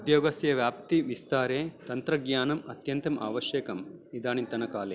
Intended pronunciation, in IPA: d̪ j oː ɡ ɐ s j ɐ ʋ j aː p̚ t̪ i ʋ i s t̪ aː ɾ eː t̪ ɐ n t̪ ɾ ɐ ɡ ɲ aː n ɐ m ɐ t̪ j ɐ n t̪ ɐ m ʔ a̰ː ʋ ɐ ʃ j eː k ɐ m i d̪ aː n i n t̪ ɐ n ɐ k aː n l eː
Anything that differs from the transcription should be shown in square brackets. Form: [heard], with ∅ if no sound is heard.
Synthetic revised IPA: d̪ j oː ɡ ɐ s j ɐ ʋ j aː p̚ t̪ i ʋ i s t̪ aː ɾ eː t̪ ɐ n t̪ ɾ ɐ ɡ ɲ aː n ɐ m ɐ t̪ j ɐ n t̪ ɐ m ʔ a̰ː ʋ ɐ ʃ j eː k ɐ m i d̪ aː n i n t̪ ɐ n ɐ k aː [∅] l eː